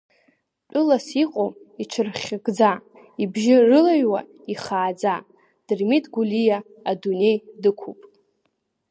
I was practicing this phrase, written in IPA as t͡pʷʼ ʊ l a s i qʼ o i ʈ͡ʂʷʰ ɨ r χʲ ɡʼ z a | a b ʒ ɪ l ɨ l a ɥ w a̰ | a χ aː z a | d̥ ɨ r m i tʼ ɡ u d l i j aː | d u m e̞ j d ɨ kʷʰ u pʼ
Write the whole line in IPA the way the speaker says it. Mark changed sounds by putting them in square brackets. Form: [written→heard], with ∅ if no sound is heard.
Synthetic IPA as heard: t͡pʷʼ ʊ l a s i qʼ o i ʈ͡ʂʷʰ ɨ r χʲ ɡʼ [z→d͡z] a | [a→i] b ʒ ɪ [l→r] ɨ l a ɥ w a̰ | [a→i] χ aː [z→d͡z] a | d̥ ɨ r m i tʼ ɡ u [d→∅] l i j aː | d u [m→n] e̞ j d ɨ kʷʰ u pʼ